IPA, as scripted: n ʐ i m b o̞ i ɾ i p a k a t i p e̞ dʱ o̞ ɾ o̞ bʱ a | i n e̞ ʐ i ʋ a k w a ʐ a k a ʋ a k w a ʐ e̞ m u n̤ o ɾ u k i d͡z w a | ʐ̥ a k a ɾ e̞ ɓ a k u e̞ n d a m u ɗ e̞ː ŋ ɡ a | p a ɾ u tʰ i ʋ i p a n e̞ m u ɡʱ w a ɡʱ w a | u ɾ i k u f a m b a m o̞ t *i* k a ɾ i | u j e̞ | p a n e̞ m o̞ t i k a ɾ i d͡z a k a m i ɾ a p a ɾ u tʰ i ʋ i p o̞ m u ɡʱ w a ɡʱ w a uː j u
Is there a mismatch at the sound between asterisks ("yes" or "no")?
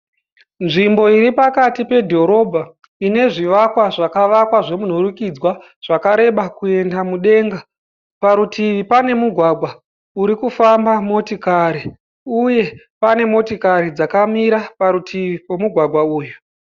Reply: no